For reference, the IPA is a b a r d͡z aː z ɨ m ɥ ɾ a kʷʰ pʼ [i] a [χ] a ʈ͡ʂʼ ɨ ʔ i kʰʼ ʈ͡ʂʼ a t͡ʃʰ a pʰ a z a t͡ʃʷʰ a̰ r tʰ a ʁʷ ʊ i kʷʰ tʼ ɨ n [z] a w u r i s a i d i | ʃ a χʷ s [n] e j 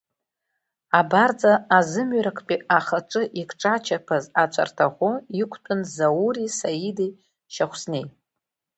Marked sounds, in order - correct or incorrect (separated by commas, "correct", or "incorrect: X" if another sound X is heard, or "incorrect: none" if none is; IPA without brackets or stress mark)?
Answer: correct, correct, correct, correct